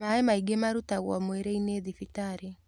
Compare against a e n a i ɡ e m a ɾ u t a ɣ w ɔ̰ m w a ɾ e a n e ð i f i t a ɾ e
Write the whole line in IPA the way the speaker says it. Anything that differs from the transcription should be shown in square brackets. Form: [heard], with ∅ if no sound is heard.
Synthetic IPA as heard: a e [m] a i ɡ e m a ɾ u t a ɣ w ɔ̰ m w [e] ɾ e [i] n e ð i f i t a ɾ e